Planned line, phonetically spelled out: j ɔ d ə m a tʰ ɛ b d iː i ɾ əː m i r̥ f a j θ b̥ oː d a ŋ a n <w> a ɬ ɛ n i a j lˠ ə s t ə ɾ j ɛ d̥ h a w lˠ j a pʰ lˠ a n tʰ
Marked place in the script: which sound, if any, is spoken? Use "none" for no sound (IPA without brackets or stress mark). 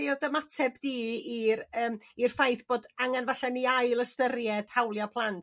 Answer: v